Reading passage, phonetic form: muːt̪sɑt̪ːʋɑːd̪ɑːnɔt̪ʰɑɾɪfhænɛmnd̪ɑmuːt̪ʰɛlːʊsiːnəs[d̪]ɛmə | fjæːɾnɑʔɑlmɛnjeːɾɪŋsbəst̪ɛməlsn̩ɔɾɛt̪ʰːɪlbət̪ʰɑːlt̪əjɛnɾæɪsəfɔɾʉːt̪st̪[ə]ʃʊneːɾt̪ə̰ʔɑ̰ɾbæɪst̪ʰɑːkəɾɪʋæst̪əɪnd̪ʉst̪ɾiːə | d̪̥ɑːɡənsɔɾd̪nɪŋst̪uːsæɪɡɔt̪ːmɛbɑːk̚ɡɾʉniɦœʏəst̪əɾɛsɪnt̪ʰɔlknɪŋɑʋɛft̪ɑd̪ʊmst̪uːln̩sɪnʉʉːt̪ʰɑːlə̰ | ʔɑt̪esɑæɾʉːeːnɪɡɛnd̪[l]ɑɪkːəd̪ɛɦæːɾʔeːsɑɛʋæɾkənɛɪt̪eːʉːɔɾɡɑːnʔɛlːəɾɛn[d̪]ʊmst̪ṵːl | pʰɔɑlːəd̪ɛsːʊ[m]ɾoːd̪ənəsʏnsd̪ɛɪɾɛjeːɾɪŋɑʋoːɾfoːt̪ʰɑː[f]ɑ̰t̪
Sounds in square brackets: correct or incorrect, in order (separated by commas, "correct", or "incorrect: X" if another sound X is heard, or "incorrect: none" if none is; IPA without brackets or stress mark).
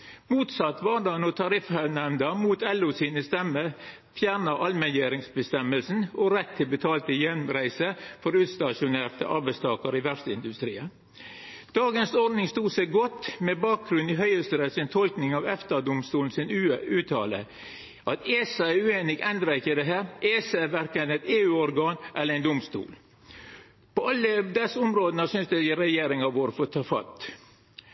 incorrect: t̪, incorrect: ɑ, incorrect: ɾ, correct, correct, correct